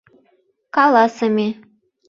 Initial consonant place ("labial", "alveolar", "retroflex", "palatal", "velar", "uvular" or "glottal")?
velar